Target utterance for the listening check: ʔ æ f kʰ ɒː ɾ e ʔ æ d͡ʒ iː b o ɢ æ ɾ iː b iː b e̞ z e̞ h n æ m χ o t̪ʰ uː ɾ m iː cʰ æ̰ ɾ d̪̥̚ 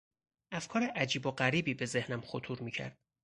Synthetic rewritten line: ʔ æ f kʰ ɒː ɾ e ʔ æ d͡ʒ iː b o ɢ æ ɾ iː b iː b e̞ z e̞ h n æ m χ o t̪ʰ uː ɾ m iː cʰ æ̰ ɾ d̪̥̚